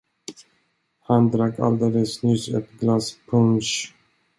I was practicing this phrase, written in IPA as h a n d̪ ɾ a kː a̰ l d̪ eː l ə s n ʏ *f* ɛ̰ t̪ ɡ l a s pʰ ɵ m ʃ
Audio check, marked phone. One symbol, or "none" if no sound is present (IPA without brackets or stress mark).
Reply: s